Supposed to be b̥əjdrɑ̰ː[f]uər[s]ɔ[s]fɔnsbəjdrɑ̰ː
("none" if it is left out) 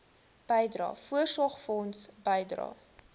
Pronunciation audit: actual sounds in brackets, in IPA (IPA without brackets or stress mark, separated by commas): f, s, χ